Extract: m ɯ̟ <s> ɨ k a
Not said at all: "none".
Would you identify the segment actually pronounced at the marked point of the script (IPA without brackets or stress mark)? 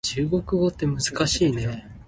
z